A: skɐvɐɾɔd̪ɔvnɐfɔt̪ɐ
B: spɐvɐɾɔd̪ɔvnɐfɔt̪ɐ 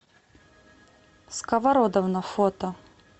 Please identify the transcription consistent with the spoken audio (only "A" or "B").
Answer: A